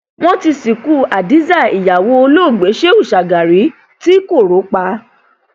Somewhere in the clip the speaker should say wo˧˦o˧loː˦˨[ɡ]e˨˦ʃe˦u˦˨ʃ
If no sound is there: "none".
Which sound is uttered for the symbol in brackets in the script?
ɡ͡b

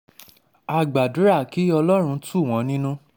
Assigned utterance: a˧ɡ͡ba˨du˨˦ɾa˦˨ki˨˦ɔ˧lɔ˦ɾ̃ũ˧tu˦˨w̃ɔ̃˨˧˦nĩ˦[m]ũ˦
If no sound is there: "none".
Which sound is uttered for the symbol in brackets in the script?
n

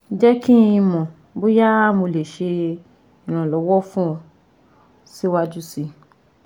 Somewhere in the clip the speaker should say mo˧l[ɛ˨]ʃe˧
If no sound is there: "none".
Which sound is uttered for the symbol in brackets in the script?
e˨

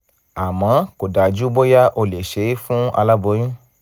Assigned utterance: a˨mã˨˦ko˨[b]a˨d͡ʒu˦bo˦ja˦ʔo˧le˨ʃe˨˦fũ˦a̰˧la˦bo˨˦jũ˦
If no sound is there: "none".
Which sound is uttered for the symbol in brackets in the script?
d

